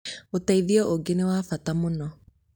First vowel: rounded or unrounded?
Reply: rounded